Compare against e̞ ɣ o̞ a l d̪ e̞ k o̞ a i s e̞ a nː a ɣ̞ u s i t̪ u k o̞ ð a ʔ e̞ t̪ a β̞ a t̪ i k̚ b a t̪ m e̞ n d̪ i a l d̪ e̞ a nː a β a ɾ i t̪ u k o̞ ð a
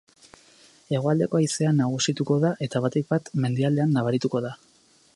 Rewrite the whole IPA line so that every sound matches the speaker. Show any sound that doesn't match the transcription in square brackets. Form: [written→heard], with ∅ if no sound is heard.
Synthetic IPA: e̞ ɣ o̞ a l d̪ e̞ k o̞ a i s e̞ a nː a ɣ̞ u s i t̪ u k o̞ ð a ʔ e̞ t̪ a β̞ a t̪ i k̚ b a t̪ m e̞ n d̪ i a l d̪ e̞ a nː a β a ɾ i t̪ u k o̞ ð a

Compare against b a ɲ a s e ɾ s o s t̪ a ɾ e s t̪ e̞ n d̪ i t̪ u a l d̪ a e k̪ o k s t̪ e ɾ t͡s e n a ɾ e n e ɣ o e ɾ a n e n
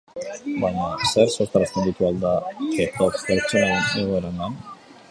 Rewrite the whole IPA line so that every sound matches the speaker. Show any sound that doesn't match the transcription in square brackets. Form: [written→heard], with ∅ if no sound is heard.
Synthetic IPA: b a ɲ a s e ɾ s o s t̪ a ɾ [e→a] s t̪ e̞ n d̪ i t̪ u a l d̪ a e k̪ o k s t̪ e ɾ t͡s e n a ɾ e n e ɣ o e ɾ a n [e→a] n

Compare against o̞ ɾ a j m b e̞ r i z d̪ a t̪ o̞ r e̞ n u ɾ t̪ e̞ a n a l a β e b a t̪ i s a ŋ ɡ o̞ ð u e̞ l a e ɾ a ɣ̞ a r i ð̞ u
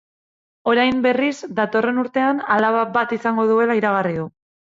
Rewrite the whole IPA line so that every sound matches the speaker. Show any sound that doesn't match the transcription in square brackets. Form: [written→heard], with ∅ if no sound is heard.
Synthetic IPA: o̞ ɾ a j m b e̞ r i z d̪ a t̪ o̞ r e̞ n u ɾ t̪ e̞ a n a l a β [e→a] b a t̪ i s a ŋ ɡ o̞ ð u e̞ l a [e→i] ɾ a ɣ̞ a r i ð̞ u

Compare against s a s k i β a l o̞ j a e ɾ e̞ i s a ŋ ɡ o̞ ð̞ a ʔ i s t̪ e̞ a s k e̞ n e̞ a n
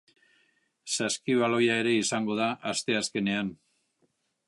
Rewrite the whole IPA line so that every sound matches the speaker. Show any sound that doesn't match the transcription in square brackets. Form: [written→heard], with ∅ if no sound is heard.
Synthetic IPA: s a s k i β a l o̞ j a e ɾ e̞ i s a ŋ ɡ o̞ ð̞ a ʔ [i→a] s t̪ e̞ a s k e̞ n e̞ a n

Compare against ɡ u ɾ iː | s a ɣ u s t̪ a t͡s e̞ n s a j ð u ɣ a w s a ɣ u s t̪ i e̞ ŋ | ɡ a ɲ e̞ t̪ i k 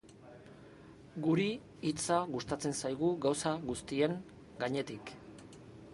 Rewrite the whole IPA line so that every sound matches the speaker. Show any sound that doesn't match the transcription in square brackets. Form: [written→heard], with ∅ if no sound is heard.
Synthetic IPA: ɡ u ɾ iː | [s→t͡s] a ɣ u s t̪ a t͡s e̞ n s a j [ð→ɣ] u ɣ a w s a ɣ u s t̪ i e̞ ŋ | ɡ a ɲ e̞ t̪ i k

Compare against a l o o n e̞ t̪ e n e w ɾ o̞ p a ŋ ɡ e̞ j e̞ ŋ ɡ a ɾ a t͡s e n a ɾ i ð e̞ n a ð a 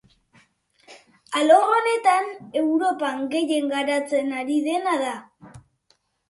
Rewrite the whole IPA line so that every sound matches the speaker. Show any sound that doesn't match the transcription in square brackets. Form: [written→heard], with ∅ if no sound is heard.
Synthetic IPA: a l o o n e̞ t̪ [e→a] n e w ɾ o̞ p a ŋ ɡ e̞ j e̞ ŋ ɡ a ɾ a t͡s e n a ɾ i ð e̞ n a ð a

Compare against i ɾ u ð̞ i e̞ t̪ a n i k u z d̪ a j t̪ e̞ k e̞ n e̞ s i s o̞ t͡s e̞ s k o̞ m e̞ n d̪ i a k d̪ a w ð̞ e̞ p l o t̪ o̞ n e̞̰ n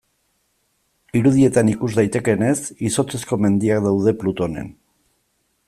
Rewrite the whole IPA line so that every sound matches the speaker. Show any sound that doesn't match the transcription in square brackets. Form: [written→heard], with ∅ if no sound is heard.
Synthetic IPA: i ɾ u ð̞ i e̞ t̪ a n i k u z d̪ a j t̪ e̞ k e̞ n e̞ s i s o̞ t͡s e̞ s k o̞ m e̞ n d̪ i a k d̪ a w ð̞ e̞ p l [o→u] t̪ o̞ n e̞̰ n

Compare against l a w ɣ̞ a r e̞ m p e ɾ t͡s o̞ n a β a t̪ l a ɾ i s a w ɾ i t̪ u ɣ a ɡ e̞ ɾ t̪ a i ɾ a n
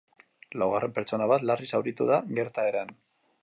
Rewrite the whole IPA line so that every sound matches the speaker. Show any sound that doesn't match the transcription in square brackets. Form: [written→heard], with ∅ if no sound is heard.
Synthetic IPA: l a w ɣ̞ a r e̞ m p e ɾ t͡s o̞ n a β a t̪ l a [ɾ→r] i s a w ɾ i t̪ u [ɣ→ð] a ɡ e̞ ɾ t̪ a [i→e] ɾ a n

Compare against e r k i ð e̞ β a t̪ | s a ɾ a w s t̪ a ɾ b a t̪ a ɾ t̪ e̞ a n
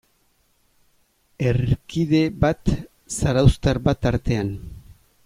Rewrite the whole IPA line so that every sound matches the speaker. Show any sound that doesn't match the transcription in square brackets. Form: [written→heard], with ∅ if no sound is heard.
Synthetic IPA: e r k i ð e̞ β a t̪ | s a ɾ a w s t̪ a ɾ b a t̪ a ɾ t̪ e̞ a n

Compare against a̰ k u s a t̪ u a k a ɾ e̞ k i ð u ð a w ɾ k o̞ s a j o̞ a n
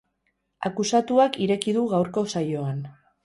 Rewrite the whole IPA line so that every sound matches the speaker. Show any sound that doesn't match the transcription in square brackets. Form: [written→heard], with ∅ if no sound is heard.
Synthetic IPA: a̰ k u s a t̪ u a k [a→i] ɾ e̞ k i ð u [ð→ɣ] a w ɾ k o̞ s a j o̞ a n

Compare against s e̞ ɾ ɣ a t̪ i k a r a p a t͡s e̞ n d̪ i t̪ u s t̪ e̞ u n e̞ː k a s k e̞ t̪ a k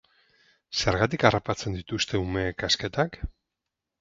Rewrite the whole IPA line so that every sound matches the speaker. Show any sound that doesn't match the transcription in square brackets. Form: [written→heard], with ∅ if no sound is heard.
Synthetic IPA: s e̞ ɾ ɣ a t̪ i k a r a p a t͡s e̞ n d̪ i t̪ u s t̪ e̞ u [n→m] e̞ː k a s k e̞ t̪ a k

